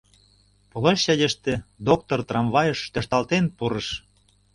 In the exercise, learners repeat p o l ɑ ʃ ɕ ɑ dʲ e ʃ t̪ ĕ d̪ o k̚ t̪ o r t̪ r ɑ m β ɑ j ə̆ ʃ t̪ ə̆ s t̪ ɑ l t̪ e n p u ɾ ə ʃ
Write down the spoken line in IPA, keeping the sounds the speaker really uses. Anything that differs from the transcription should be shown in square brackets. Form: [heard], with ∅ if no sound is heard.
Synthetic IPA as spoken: p o l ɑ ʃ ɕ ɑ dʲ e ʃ t̪ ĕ d̪ o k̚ t̪ o r t̪ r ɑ m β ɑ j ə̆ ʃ t̪ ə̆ [ʃ] t̪ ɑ l t̪ e n p u ɾ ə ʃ